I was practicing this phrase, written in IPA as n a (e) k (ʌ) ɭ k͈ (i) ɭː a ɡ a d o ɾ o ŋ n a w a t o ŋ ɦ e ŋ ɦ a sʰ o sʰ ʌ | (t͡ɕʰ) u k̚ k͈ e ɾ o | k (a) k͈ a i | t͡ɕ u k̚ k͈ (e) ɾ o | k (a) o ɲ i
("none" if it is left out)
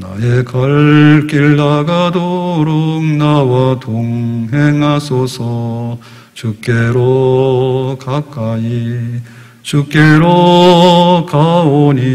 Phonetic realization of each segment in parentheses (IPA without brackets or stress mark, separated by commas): e, ʌ, i, t͡ɕ, a, e, a